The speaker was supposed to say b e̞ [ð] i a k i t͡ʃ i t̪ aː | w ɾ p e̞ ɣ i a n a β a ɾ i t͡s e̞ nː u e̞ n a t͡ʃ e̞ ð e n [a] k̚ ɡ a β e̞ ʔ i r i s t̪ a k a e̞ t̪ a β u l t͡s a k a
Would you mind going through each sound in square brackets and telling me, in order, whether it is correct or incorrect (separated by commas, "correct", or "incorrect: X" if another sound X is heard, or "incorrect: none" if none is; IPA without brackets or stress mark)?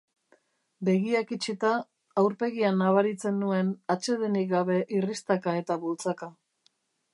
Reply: incorrect: ɣ, incorrect: i